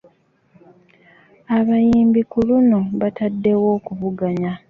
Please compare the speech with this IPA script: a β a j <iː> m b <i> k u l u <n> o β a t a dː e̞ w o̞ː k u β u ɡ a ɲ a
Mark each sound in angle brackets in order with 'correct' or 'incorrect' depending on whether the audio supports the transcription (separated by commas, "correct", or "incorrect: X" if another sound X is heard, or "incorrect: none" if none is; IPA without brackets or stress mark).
correct, correct, correct